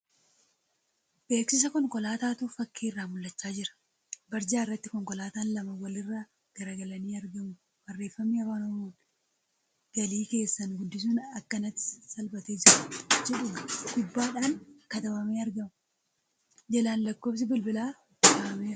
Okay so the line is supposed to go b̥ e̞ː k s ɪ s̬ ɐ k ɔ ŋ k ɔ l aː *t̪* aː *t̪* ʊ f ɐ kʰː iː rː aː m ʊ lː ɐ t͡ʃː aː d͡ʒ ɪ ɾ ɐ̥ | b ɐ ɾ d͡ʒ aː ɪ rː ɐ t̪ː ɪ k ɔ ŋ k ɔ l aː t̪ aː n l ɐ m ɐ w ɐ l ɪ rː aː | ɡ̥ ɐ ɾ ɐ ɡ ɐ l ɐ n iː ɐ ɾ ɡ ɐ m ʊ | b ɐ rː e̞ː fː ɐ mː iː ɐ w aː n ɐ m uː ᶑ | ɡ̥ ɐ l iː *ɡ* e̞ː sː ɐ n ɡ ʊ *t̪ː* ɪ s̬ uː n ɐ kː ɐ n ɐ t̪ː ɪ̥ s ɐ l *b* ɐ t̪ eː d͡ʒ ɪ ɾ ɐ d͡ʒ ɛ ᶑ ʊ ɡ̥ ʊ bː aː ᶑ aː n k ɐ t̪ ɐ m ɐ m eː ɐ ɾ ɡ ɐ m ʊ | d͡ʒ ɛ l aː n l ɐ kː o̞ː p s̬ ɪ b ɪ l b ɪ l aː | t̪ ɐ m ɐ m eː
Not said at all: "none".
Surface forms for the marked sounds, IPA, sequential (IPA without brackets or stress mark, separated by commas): t̪, t̪, k, d̪ː, b